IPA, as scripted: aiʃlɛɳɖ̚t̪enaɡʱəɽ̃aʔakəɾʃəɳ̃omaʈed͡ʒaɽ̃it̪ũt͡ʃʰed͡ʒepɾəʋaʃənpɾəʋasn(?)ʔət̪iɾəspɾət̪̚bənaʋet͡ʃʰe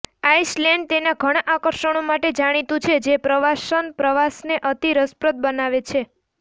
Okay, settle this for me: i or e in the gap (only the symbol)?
e